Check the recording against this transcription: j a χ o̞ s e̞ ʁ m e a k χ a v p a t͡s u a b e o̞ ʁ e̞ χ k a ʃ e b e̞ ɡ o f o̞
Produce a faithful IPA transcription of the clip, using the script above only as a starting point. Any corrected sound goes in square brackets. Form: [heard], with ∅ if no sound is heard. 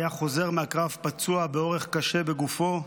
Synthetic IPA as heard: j a χ o̞ [z] e̞ ʁ m e a k [ʁ] a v p a t͡s u a b e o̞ ʁ e̞ χ k a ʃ e b e̞ ɡ [u] f o̞